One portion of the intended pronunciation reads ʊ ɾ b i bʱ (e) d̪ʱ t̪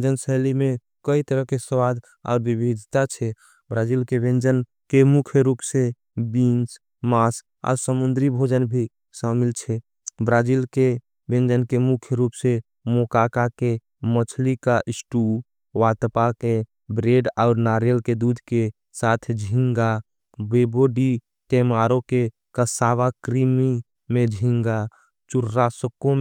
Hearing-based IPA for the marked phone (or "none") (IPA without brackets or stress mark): i